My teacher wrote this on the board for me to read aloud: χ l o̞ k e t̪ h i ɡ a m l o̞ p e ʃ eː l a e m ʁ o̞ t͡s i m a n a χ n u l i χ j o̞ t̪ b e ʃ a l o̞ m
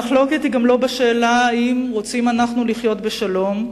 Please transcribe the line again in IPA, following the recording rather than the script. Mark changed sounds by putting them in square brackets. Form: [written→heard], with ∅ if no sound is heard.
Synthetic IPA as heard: χ l o̞ k e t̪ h i ɡ a m l o̞ [p→b] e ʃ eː l a [e→i] m ʁ o̞ t͡s i m a n a χ n u l i χ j o̞ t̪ b e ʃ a l o̞ m